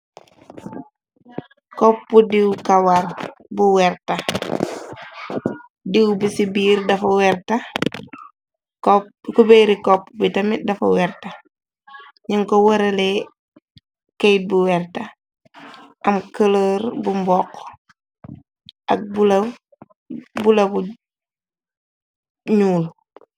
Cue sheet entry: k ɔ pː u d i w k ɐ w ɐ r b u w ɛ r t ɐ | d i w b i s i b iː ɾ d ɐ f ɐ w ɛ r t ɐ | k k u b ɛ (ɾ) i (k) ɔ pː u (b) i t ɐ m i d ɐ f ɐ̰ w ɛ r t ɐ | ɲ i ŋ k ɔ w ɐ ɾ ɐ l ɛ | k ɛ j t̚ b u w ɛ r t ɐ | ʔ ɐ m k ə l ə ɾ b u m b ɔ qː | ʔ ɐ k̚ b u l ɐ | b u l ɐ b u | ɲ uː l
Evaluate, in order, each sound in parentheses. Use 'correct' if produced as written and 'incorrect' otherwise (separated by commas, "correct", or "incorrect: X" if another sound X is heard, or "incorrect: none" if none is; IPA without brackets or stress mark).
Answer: correct, correct, correct